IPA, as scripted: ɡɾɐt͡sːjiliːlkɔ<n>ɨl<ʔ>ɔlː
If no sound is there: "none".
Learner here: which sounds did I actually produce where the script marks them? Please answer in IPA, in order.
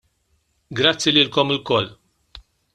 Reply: m, k

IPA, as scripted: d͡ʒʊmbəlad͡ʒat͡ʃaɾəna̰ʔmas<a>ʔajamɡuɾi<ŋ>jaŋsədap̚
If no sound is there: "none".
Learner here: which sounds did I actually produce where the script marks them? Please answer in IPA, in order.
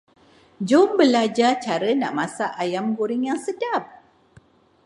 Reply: a, ŋ

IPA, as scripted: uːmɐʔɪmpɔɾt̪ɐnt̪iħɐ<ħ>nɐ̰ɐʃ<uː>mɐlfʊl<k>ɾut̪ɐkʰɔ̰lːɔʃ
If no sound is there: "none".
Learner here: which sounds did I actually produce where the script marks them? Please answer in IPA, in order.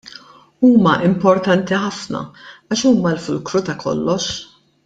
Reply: f, uː, k

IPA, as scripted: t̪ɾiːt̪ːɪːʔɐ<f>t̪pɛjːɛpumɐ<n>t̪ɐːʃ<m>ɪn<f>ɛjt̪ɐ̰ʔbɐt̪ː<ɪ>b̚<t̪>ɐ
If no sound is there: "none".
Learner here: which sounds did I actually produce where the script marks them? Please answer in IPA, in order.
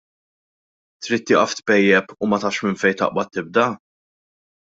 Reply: f, none, m, f, ɪ, d̪

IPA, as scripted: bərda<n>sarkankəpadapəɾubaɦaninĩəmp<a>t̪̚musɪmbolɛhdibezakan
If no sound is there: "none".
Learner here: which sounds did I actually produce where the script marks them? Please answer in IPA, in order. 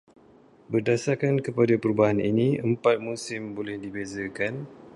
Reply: none, a

